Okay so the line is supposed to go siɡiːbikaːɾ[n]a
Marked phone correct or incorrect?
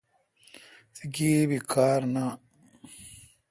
correct